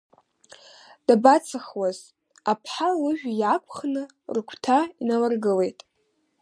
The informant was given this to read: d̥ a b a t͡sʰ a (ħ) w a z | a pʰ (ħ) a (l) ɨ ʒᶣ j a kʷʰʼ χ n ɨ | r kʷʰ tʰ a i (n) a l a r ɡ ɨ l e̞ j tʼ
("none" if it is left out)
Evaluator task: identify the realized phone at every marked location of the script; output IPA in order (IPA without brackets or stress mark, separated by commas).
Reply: χ, ħ, l, n